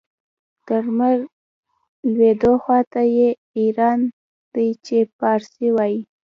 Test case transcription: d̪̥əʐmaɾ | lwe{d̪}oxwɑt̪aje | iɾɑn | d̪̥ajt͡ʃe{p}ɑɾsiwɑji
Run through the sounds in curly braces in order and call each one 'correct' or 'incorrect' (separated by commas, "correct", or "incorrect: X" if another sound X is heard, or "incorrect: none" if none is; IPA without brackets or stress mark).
correct, correct